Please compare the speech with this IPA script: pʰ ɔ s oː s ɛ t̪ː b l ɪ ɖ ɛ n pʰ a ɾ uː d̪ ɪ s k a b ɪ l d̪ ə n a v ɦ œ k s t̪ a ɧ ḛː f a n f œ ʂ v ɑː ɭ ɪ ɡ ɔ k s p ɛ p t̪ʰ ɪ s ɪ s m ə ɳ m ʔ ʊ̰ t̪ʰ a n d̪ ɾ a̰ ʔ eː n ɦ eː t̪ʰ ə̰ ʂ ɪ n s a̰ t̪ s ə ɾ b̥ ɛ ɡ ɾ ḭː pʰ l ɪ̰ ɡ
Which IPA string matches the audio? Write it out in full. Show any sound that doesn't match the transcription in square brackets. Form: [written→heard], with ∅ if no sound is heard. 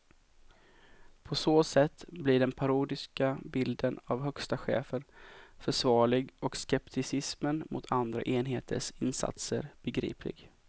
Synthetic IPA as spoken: pʰ ɔ s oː s ɛ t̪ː b l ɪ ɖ ɛ n pʰ a ɾ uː d̪ ɪ s k a b ɪ l d̪ ə n a v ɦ œ k s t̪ a ɧ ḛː f [a→ə] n f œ ʂ v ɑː ɭ ɪ ɡ ɔ k s [p→k] ɛ p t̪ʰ ɪ s ɪ s m ə [ɳ→n] m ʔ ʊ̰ t̪ʰ a n d̪ ɾ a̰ ʔ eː n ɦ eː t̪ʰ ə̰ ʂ ɪ n s a̰ t̪ s ə ɾ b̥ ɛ ɡ ɾ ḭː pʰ l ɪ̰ ɡ